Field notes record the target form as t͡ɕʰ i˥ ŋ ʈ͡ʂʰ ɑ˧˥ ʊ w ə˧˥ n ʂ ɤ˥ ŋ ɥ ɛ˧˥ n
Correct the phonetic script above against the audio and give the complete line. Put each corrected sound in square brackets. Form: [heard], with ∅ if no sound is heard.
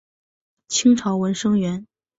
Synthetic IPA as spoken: t͡ɕʰ i˥ ŋ ʈ͡ʂʰ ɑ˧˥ ʊ w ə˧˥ n ʂ ɤ˥ ŋ ɥ ɛ˧˥ n